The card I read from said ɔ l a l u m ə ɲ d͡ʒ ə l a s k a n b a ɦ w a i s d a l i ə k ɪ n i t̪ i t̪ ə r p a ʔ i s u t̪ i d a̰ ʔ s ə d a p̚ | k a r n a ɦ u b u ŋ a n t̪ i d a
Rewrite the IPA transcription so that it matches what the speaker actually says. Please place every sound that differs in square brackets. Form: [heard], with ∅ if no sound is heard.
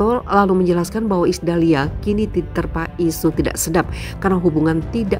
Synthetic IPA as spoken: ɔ l a l u m ə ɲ d͡ʒ ə l a s k a n b a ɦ w a i s d a l i [a] k [i] n i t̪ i t̪ ə r p a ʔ i s u t̪ i d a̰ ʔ s ə d a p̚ | k a r n a ɦ u b u ŋ a n t̪ i d a